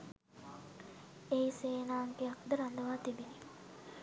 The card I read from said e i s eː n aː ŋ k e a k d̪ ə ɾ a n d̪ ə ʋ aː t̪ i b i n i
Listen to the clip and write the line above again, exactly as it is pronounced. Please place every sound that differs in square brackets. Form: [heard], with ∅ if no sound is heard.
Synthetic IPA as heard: e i s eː n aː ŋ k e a k d̪ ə ɾ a n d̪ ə ʋ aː t̪ i b i n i